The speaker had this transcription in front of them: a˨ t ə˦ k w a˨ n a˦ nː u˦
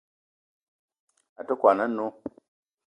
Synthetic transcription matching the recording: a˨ t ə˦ k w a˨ n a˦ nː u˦